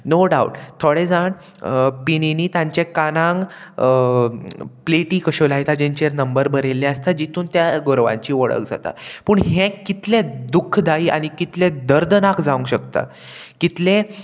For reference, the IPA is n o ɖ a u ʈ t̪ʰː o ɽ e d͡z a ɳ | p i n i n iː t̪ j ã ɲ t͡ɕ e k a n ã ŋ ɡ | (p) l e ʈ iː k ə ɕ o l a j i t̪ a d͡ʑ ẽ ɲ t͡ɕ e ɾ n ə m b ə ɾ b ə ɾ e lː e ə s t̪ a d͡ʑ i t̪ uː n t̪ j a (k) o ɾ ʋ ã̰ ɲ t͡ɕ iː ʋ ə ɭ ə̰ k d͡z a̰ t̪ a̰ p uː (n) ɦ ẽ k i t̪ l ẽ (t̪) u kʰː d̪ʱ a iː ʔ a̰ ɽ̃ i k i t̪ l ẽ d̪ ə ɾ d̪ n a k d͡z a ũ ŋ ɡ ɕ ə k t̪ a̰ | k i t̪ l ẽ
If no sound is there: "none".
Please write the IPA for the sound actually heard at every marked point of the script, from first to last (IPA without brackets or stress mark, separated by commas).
p, ɡ, ɳ, d̪